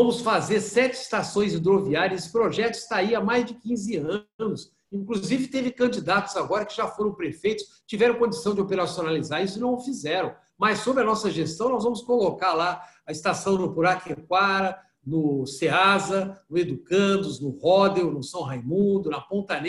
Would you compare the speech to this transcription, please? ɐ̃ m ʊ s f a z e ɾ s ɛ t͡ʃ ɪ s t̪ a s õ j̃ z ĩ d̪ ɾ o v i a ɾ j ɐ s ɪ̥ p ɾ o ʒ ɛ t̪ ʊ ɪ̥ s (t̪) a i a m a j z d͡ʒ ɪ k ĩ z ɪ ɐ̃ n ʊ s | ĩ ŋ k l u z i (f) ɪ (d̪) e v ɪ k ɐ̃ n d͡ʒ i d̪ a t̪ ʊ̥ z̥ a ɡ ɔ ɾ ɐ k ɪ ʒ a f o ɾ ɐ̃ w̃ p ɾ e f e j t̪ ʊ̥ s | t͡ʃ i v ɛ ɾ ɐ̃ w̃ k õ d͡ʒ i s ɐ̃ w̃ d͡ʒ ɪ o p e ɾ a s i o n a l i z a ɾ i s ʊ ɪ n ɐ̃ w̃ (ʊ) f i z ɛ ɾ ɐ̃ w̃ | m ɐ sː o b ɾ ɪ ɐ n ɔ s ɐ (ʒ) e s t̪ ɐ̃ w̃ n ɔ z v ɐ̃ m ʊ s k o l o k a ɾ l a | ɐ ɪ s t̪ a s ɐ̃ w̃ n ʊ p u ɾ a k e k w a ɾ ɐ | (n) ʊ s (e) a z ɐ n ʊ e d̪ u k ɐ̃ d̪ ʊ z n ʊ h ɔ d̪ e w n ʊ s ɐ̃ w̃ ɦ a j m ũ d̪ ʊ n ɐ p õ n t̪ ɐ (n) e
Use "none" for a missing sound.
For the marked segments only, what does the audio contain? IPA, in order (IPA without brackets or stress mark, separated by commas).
t̪, v, t̪, ʊ, ʒ, n, e, n